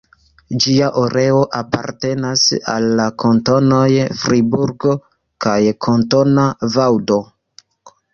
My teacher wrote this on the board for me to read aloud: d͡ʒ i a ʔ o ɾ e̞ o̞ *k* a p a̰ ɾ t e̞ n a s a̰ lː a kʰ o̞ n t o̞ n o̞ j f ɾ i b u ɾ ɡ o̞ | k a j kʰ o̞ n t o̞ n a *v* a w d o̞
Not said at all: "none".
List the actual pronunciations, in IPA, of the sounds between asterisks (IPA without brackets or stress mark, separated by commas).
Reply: ʔ, v